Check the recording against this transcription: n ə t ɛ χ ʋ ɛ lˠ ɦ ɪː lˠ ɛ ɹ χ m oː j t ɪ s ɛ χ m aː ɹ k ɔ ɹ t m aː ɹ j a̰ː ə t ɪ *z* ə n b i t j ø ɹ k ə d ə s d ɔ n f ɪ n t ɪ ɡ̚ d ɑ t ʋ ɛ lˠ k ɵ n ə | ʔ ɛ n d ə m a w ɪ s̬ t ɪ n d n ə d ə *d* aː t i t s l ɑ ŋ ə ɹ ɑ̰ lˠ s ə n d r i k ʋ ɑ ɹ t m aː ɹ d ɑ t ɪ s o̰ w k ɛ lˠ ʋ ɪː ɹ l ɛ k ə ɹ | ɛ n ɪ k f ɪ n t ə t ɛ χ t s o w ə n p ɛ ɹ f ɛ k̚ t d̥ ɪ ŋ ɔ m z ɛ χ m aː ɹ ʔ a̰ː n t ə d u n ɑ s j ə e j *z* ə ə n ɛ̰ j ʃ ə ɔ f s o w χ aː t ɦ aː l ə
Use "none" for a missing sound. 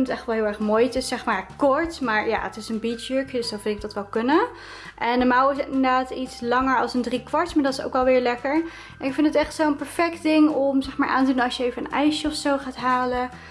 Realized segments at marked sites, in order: s, d, v

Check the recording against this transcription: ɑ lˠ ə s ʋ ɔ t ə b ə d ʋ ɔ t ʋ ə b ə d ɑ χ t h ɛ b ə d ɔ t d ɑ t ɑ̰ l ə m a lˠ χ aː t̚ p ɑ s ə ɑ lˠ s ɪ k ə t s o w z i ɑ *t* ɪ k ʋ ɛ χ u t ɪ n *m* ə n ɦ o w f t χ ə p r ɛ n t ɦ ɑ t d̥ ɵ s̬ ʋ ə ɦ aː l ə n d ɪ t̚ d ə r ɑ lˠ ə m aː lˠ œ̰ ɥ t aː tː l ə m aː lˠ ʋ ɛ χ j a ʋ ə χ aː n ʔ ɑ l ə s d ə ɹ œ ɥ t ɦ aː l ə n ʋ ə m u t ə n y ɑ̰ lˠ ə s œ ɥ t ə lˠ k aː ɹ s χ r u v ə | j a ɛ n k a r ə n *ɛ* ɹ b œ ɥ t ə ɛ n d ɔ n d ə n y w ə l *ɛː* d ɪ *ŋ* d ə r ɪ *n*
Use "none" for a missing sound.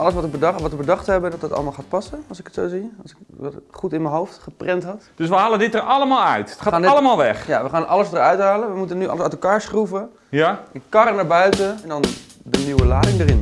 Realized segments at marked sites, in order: s, m, a, aː, ŋ, n

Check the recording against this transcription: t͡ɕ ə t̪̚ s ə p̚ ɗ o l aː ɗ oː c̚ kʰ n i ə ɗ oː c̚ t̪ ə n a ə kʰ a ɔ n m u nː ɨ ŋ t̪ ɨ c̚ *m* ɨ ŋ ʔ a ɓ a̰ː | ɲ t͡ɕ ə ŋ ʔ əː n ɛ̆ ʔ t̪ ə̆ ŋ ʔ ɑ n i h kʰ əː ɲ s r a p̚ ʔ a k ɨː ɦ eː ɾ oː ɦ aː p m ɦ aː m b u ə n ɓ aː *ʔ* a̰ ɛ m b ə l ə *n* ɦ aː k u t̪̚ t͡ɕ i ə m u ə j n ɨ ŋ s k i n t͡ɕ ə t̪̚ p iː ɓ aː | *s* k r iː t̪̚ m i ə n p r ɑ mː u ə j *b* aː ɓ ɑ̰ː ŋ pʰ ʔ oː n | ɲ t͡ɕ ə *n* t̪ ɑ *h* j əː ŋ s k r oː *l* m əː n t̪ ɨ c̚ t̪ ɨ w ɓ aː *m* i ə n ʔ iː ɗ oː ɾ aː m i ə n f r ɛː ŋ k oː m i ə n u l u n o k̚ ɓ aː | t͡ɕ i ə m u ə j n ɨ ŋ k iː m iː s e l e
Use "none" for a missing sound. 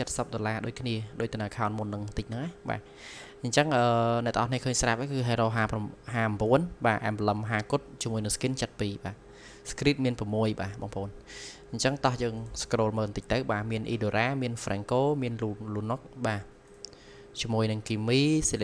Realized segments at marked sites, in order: n, ʔ, m, s, ɓ, ŋ, h, l, m

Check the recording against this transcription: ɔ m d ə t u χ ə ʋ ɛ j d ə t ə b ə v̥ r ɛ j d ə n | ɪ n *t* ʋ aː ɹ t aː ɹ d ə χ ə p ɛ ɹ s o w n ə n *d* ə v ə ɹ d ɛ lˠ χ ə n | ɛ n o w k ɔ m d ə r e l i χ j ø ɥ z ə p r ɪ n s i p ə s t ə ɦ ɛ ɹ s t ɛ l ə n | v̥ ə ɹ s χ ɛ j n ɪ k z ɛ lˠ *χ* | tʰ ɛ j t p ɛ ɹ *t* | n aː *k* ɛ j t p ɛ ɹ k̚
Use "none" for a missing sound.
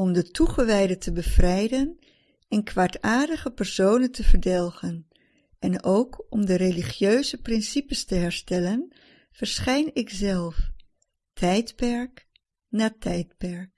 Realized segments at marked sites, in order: k, t, f, k, t

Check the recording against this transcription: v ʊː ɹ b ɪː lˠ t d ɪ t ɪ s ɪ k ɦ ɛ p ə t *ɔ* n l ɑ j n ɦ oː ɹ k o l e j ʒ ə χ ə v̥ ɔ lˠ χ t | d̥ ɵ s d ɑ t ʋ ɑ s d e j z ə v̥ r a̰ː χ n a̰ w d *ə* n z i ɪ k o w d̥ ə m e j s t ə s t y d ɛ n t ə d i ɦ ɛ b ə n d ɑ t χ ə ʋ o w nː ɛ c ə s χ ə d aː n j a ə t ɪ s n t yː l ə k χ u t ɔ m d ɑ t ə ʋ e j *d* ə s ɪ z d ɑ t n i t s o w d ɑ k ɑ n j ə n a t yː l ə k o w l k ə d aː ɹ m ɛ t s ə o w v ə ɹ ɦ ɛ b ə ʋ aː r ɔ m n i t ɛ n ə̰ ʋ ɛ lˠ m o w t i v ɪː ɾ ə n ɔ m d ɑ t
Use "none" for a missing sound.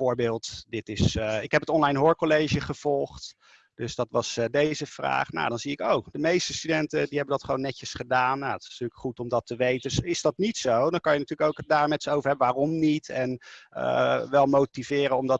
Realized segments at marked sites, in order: ɔ, ɑ, t

